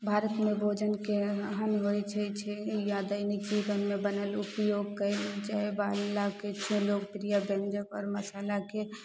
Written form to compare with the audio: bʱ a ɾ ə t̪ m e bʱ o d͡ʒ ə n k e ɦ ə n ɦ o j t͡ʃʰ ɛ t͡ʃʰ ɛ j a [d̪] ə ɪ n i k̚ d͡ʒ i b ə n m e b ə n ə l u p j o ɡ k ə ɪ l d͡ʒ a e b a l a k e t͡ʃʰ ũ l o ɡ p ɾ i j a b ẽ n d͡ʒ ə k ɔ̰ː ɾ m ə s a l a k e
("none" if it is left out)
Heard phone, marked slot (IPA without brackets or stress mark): d̪